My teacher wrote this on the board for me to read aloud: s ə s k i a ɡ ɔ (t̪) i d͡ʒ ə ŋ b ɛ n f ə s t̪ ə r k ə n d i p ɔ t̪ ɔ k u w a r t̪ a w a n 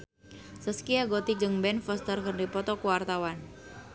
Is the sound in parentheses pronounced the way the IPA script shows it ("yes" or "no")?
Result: yes